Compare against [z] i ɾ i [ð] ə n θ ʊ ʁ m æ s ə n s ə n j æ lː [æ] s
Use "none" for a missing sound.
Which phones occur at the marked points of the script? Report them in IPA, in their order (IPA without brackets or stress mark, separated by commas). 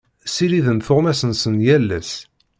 s, ð, æ